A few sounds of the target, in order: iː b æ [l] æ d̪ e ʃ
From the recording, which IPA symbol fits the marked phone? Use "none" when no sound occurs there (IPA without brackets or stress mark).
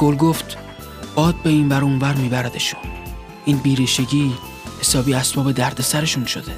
ɾ